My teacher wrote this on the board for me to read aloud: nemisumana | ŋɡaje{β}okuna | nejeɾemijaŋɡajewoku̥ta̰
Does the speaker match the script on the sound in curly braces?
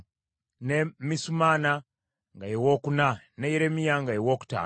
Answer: no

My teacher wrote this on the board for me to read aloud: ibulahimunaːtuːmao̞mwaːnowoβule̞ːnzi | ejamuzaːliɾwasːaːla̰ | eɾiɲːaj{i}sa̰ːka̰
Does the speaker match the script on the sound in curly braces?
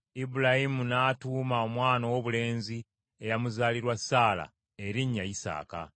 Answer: yes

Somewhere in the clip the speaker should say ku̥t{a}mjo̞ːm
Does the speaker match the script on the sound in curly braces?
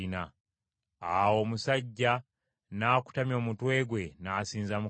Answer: yes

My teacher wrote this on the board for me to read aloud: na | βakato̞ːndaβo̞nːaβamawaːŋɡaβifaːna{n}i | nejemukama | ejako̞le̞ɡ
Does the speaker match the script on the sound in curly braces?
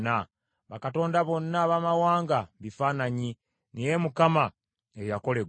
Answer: no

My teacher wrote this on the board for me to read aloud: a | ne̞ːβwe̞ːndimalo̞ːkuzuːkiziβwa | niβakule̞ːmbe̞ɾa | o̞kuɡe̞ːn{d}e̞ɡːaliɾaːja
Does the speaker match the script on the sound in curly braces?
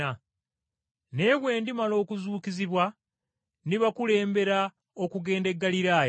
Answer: yes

